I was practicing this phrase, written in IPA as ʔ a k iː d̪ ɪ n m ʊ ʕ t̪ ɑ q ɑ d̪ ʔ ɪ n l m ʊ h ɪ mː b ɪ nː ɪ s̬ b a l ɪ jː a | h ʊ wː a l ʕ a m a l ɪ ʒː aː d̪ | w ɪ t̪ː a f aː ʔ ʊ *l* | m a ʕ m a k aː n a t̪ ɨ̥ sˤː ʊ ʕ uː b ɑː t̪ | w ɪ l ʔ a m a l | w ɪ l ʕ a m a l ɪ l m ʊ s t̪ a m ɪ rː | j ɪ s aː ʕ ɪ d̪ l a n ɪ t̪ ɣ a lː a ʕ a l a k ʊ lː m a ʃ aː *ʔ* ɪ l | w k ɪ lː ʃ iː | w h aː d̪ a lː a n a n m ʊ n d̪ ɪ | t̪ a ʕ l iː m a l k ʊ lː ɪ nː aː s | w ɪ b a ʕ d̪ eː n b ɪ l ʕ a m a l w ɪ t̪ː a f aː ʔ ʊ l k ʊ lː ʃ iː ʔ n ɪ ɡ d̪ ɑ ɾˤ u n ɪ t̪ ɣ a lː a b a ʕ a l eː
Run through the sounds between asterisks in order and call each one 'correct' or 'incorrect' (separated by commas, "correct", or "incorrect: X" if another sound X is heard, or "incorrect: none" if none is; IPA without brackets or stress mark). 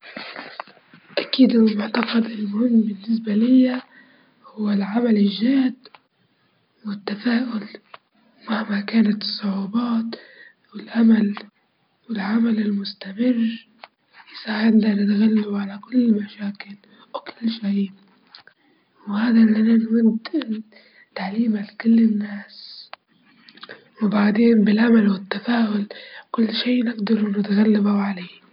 correct, incorrect: k